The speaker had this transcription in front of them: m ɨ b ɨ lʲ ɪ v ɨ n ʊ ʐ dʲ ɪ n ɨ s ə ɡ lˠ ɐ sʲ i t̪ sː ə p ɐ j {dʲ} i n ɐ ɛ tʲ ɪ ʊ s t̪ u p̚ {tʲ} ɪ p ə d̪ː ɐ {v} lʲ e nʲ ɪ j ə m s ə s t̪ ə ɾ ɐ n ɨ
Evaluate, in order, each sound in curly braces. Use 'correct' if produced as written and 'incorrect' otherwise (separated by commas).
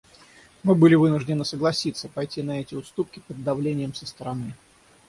incorrect, incorrect, correct